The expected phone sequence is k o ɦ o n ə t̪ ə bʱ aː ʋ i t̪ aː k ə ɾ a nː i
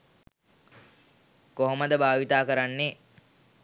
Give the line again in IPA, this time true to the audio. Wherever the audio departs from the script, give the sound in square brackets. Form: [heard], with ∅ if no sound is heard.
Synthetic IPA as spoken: k o ɦ o [m] ə [d̪] ə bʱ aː ʋ i t̪ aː k ə ɾ a nː [e]